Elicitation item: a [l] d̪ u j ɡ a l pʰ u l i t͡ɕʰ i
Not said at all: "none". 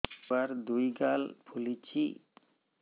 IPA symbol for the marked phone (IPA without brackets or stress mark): ɾ